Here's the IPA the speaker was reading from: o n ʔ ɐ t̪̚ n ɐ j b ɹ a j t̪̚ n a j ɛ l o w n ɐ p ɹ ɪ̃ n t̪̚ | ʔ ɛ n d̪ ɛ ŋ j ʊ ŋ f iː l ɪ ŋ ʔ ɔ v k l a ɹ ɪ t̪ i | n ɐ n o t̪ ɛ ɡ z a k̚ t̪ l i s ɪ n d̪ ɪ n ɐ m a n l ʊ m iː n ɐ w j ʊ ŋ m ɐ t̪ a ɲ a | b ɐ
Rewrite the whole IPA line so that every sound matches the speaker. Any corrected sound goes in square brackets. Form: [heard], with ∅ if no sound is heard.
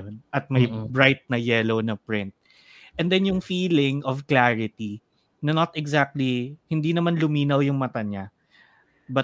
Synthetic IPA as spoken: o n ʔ ɐ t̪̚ [m] ɐ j b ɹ a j t̪̚ n [ɐ] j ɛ l o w n ɐ p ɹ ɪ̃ n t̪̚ | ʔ ɛ n d̪ ɛ [n] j ʊ ŋ f iː l ɪ ŋ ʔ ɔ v k l a ɹ ɪ t̪ i | n ɐ n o t̪ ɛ ɡ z a k̚ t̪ l i [h] ɪ n d̪ [i] n ɐ m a n l ʊ m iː n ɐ w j ʊ ŋ m ɐ t̪ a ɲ a | b ɐ